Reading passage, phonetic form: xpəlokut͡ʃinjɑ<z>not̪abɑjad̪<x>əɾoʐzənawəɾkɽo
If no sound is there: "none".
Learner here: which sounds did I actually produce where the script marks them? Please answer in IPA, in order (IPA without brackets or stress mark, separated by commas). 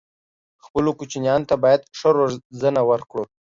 none, ʂ